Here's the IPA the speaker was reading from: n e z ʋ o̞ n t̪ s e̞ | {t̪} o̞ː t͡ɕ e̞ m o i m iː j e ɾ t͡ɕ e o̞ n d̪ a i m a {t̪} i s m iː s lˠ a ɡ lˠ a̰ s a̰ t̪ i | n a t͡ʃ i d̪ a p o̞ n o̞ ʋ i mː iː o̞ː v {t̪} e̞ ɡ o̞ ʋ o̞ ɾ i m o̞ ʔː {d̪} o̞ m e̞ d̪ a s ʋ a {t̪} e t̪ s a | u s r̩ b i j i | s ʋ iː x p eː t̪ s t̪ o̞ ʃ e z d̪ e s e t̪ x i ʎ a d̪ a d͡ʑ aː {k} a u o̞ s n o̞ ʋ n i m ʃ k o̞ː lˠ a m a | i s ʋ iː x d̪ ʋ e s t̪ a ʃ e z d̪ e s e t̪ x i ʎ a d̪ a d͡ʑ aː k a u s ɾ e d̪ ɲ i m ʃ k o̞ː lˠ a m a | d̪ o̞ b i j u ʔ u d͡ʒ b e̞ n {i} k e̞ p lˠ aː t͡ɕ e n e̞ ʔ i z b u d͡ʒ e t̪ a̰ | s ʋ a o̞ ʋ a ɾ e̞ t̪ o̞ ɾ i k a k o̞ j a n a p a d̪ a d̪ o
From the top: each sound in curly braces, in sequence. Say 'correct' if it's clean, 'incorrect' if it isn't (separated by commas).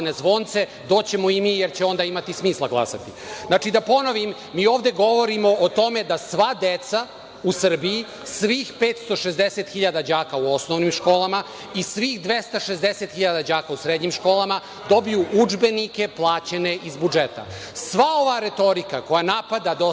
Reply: incorrect, correct, incorrect, incorrect, incorrect, correct, correct